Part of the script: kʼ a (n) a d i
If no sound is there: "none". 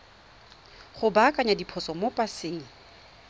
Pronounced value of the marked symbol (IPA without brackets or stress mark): ɲ